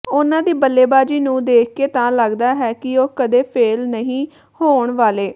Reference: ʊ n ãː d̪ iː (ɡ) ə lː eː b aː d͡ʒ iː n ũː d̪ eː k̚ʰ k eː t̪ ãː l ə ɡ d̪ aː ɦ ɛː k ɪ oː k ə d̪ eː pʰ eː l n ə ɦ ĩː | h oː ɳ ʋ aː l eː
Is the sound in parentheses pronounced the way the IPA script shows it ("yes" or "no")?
no